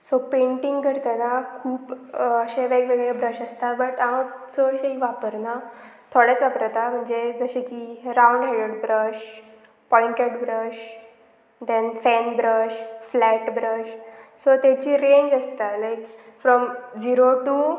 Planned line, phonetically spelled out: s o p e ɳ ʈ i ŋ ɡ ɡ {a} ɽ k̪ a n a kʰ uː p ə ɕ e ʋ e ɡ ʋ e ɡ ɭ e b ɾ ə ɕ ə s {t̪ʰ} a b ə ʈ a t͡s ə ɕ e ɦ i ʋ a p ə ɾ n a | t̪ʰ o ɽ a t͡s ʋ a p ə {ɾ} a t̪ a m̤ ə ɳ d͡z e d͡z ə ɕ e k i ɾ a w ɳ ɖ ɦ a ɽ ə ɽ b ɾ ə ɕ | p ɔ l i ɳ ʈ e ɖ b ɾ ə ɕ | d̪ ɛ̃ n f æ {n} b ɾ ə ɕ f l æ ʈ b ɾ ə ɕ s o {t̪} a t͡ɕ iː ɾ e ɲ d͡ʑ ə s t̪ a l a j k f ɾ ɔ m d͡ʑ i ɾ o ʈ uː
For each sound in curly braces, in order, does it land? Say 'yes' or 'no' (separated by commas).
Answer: no, no, yes, yes, yes